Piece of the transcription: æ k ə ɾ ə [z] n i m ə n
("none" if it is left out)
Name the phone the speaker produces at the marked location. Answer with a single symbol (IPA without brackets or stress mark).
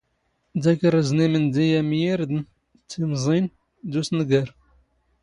z